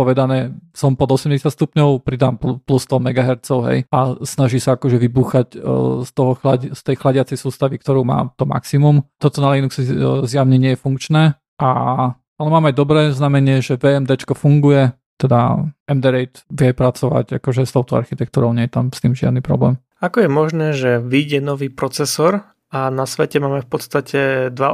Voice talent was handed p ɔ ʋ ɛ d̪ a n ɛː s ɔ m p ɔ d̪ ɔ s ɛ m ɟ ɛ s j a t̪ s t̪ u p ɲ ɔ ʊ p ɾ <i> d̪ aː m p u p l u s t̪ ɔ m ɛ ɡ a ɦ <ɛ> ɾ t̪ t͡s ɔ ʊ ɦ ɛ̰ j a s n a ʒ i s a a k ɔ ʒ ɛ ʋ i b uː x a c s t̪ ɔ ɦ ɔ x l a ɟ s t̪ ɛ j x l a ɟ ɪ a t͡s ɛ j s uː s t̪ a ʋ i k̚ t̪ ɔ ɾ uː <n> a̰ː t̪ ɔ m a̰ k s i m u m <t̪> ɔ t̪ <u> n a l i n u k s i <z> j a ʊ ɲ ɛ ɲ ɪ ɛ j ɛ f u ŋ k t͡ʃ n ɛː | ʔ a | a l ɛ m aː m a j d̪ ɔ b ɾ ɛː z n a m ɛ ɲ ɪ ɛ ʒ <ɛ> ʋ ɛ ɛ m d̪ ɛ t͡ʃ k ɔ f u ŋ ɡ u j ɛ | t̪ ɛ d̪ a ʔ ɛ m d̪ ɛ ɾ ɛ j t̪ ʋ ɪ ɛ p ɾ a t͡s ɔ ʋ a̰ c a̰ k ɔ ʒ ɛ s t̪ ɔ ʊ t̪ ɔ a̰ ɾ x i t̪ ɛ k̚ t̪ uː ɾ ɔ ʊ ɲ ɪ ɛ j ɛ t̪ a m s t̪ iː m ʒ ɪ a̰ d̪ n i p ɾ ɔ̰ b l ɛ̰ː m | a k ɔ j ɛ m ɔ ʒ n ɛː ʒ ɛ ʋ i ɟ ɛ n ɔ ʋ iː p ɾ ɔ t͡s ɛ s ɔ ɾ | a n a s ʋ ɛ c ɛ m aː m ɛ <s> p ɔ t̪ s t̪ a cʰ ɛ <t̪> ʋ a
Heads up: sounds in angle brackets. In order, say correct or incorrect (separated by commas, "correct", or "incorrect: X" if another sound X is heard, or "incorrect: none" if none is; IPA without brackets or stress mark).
correct, correct, incorrect: m, correct, incorrect: ɔ, correct, correct, incorrect: f, incorrect: d̪